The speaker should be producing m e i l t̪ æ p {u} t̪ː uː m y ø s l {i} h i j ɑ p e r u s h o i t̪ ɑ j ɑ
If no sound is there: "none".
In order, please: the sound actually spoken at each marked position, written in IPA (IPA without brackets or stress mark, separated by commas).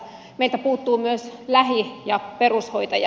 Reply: uː, æ